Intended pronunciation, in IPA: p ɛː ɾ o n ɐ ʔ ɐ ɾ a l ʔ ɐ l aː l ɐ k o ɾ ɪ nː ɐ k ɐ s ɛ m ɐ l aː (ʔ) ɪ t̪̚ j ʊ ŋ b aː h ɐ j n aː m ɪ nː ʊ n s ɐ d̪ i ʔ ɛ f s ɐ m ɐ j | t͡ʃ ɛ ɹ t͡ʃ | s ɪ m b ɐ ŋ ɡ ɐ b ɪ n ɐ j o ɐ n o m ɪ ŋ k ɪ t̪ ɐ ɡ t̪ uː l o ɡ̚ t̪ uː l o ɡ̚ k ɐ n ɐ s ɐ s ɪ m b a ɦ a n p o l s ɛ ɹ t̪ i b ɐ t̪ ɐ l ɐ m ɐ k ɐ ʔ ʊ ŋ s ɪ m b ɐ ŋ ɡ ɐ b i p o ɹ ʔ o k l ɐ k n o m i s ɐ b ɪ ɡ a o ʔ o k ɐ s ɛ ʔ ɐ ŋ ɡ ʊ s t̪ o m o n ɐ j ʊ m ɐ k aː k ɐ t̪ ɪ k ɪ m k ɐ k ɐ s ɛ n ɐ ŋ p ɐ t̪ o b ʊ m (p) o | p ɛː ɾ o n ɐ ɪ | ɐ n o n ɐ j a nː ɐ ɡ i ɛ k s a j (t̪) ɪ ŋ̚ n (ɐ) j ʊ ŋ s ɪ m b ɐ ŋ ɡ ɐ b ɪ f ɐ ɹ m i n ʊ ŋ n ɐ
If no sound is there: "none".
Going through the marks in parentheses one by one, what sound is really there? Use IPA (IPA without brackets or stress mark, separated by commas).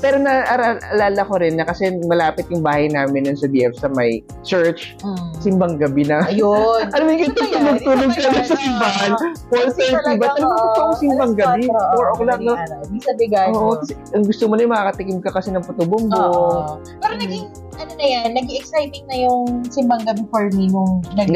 p, b, t̪, ɐ